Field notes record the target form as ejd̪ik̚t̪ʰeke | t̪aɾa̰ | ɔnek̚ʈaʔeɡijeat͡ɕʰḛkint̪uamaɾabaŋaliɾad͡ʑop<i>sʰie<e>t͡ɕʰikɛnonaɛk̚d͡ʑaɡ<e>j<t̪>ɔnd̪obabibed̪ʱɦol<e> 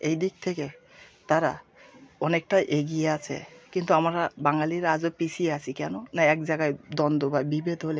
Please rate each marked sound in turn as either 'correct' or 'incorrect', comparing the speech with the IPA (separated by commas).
correct, incorrect, incorrect, incorrect, correct